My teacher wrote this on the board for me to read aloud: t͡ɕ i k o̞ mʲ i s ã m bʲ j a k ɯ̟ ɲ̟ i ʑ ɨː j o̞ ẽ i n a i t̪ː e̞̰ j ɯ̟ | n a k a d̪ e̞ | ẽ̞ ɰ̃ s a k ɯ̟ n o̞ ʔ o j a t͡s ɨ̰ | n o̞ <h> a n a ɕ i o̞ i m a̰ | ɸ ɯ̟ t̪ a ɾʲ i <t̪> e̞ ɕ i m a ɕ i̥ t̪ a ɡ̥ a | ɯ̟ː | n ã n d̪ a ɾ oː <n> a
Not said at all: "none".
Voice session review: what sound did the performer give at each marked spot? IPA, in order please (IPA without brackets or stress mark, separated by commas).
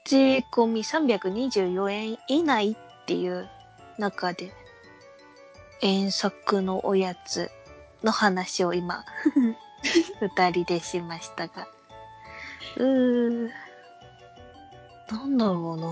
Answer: h, d̪, n